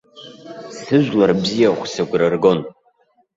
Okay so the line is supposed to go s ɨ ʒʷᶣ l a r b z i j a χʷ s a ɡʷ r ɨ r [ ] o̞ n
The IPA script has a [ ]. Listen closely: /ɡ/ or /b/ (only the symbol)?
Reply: ɡ